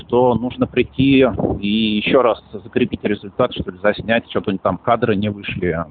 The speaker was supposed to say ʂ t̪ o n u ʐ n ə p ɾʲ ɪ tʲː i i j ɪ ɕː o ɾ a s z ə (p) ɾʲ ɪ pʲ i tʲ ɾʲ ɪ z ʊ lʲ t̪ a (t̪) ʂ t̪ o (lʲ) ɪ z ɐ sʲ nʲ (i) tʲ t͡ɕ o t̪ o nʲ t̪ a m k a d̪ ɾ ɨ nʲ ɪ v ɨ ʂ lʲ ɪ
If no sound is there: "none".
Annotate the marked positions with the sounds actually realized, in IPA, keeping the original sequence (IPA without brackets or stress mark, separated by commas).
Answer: k, t̪, lʲ, æ